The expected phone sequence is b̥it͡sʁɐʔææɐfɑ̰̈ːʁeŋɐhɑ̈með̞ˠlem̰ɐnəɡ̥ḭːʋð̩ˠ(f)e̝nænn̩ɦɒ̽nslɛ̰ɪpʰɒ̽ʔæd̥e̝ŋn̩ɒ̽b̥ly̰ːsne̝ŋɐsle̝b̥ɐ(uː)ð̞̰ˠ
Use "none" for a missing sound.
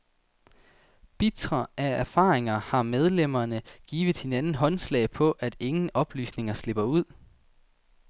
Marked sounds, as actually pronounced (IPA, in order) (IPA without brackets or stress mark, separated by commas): h, u